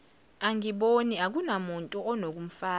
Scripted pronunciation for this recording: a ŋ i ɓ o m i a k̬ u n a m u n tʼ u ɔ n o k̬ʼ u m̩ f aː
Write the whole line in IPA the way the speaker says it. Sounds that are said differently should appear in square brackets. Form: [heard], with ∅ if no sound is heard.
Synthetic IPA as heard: a ŋ i ɓ o [n] i a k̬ u n a m u n tʼ u ɔ n o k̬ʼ u m̩ f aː